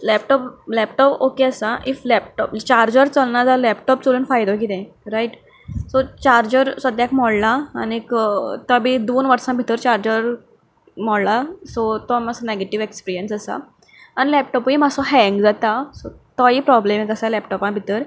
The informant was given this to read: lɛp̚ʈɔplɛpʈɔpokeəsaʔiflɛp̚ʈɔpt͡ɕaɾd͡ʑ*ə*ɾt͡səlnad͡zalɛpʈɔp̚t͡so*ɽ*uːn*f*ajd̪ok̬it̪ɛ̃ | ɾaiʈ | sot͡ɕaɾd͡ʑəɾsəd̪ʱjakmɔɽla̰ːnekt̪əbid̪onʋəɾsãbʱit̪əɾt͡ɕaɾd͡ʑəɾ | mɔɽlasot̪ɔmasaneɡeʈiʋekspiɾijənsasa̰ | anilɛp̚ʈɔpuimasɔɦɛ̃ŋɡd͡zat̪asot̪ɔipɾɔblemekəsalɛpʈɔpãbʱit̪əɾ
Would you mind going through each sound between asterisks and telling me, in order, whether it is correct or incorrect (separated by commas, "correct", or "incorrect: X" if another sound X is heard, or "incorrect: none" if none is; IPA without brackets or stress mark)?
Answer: correct, incorrect: l, correct